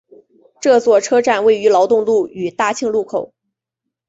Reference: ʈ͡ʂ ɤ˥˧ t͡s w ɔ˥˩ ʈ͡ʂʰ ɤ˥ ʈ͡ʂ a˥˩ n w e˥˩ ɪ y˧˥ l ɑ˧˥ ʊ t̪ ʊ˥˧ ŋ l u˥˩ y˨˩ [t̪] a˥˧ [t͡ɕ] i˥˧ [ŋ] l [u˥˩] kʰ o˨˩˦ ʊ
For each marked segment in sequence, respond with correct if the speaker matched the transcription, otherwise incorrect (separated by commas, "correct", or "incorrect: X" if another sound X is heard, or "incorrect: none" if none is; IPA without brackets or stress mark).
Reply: correct, incorrect: t͡ɕʰ, correct, correct